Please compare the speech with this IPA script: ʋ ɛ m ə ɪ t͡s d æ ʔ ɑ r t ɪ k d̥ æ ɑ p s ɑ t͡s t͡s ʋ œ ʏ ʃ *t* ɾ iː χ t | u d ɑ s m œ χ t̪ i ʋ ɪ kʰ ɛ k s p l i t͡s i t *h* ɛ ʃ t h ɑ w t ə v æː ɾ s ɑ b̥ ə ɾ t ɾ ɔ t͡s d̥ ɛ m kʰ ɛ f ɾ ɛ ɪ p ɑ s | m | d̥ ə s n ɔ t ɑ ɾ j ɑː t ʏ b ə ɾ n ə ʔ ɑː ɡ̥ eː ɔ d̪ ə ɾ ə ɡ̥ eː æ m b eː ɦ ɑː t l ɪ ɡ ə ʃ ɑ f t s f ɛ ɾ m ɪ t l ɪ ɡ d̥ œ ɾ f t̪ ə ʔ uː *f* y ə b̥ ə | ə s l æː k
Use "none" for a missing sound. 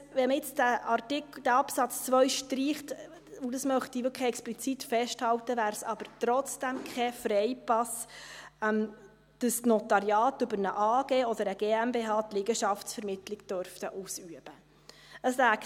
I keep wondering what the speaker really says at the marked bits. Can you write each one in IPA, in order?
t, f, s

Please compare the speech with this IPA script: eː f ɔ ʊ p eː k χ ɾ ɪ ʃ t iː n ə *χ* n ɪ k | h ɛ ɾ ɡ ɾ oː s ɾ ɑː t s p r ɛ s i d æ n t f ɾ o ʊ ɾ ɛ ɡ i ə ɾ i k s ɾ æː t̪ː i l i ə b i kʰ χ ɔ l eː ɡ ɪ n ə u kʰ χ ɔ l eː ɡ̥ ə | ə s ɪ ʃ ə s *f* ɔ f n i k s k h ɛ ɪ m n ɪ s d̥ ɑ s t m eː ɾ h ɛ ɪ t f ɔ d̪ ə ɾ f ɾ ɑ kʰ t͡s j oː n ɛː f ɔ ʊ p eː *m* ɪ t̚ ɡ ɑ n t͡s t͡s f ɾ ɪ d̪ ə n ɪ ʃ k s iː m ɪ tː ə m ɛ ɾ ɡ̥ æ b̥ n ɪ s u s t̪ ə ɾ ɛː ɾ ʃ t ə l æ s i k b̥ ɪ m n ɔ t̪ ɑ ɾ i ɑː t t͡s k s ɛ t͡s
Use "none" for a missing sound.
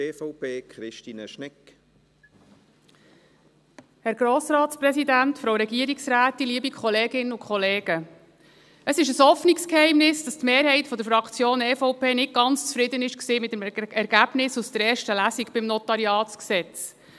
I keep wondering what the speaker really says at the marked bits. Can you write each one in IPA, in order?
ʃ, h, n

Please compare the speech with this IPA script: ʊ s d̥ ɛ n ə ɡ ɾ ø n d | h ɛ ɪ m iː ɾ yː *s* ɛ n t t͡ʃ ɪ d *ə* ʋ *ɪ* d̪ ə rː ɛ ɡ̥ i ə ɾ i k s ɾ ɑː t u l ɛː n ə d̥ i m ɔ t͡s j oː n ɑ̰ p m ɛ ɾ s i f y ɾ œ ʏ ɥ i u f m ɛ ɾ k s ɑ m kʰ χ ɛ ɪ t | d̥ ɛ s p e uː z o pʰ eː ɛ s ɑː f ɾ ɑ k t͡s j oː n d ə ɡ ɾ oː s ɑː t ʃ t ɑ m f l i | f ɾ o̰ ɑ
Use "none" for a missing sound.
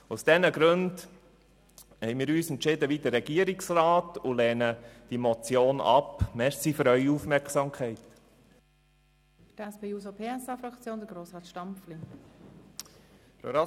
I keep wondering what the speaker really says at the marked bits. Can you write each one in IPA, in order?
s, ə, i

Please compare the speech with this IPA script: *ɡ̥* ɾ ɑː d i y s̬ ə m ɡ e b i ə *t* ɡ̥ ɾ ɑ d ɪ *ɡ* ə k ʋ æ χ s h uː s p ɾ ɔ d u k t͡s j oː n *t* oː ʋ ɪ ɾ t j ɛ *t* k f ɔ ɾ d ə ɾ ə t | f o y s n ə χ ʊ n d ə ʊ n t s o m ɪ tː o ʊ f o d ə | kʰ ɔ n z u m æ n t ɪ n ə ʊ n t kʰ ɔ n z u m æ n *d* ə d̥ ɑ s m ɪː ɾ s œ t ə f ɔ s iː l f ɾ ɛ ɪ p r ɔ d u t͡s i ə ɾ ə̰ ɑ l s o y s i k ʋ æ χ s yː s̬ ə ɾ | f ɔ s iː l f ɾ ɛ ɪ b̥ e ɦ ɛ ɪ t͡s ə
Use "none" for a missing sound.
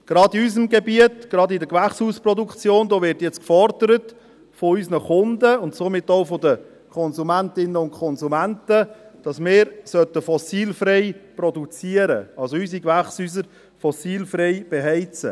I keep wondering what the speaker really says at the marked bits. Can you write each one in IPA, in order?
ɡ̥, t, d, d, t͡s, t

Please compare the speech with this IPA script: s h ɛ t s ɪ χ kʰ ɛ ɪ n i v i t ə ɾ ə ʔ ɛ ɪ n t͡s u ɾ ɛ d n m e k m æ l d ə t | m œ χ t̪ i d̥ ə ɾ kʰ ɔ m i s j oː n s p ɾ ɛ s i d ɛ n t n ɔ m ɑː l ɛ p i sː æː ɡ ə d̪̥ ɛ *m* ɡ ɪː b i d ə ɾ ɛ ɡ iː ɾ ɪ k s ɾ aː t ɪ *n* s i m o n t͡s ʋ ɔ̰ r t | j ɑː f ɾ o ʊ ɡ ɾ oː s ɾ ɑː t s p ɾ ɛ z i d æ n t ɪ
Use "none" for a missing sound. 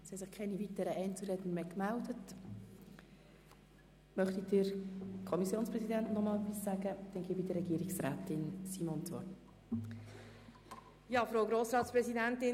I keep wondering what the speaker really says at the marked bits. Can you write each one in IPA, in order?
n, n

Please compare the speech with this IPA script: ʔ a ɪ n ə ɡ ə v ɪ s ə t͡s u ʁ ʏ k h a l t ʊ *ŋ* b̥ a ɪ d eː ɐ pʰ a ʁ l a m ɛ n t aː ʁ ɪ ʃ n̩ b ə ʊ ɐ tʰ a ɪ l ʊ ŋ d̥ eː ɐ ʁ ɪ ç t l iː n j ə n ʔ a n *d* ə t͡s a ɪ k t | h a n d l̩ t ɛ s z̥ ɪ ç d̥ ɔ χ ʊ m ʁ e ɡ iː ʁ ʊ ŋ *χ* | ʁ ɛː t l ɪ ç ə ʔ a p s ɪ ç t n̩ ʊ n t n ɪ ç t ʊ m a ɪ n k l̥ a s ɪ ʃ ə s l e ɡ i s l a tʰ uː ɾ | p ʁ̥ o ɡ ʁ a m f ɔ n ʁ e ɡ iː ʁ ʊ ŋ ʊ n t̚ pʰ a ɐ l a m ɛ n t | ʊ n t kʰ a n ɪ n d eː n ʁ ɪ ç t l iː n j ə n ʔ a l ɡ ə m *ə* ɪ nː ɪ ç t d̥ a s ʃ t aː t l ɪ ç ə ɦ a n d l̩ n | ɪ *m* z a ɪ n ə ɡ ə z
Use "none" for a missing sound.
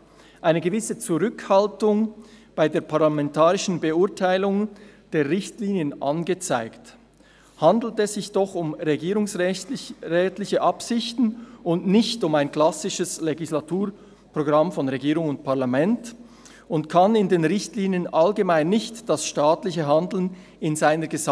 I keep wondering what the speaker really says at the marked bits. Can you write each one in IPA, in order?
ŋ, ɡ, s, a, n

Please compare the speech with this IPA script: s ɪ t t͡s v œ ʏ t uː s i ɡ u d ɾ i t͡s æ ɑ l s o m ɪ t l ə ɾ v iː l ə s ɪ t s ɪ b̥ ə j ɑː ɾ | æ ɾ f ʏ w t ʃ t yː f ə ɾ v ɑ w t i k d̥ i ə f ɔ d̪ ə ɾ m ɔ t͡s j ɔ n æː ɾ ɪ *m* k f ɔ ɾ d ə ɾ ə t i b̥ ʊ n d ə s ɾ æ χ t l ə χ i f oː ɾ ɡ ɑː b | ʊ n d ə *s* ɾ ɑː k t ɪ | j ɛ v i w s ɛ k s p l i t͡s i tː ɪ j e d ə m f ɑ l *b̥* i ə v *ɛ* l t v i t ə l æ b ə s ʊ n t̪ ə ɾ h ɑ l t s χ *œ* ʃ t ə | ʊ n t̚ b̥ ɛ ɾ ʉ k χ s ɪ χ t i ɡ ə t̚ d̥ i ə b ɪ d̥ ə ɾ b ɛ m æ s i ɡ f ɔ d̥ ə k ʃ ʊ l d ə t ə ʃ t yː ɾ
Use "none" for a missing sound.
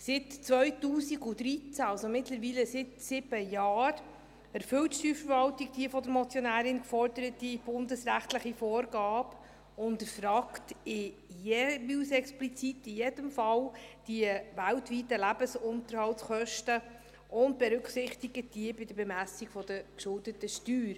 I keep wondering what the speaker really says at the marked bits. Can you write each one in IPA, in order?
n, f, d̥, æ, œ

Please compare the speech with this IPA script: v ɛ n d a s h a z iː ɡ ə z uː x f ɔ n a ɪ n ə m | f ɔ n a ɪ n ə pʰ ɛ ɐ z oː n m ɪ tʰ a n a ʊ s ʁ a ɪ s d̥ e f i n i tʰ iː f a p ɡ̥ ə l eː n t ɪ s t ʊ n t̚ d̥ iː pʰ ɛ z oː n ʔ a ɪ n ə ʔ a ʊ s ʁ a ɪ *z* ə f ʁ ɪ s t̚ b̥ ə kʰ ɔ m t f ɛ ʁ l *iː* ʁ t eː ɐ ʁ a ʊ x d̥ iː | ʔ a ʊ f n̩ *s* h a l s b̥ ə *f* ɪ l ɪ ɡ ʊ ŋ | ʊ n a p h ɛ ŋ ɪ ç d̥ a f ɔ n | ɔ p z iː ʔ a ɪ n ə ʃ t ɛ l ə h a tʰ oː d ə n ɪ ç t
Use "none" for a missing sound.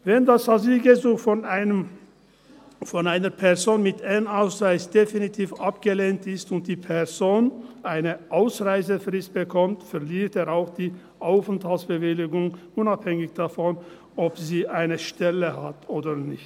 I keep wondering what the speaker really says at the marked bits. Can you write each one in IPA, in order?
z, iː, t, v

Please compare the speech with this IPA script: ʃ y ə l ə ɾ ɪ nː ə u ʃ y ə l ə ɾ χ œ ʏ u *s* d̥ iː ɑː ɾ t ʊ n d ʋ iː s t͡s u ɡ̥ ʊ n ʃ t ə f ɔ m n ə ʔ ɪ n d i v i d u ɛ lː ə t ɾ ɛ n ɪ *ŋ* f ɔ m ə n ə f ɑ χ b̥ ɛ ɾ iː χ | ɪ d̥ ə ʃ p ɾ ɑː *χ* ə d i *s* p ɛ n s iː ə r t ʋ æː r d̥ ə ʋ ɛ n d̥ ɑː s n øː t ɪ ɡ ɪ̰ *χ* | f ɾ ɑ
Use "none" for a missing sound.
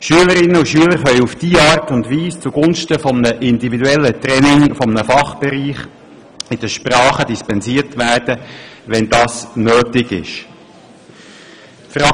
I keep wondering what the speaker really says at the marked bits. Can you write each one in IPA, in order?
f, ŋ, χ, s, ʃ

